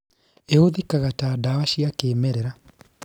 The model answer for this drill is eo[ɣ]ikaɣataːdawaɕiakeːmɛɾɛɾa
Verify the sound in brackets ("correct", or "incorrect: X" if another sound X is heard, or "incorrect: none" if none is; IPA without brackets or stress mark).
incorrect: ð